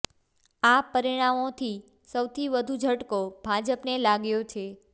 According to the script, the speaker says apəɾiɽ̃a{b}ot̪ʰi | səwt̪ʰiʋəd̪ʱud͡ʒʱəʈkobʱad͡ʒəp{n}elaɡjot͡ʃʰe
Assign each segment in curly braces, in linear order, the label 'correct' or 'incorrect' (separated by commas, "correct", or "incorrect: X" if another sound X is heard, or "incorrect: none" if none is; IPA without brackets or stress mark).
incorrect: m, correct